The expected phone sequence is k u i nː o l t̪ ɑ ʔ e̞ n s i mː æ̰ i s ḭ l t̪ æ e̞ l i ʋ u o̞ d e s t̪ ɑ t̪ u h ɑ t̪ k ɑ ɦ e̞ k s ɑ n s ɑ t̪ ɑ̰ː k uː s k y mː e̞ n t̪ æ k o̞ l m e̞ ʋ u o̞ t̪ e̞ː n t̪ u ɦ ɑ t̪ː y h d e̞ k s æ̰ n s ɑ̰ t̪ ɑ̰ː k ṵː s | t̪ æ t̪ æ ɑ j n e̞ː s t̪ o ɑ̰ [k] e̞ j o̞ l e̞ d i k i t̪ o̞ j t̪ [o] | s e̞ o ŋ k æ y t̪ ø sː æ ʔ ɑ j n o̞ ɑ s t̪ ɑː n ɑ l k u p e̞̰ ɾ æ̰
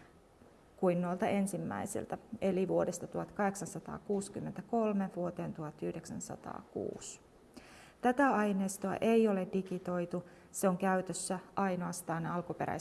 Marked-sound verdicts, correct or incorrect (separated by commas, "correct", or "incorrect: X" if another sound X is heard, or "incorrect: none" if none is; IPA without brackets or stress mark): incorrect: ʔ, incorrect: u